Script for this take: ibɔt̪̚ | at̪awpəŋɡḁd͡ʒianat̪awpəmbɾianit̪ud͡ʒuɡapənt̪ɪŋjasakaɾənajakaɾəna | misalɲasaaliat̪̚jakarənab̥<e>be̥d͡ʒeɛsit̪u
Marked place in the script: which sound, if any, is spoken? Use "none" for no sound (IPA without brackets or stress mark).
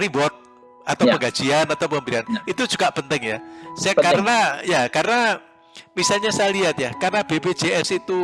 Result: e